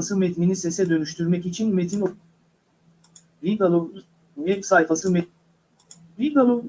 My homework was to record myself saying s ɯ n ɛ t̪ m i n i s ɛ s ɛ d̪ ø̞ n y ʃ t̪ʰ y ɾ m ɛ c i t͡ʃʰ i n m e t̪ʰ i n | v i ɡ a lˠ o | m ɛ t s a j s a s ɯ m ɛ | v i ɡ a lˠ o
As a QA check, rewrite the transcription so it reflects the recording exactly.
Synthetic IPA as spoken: s ɯ m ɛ t̪ m i n i s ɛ s ɛ d̪ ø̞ n y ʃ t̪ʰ y ɾ m ɛ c i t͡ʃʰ i n m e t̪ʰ i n | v i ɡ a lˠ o | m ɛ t s a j f a s ɯ m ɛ | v i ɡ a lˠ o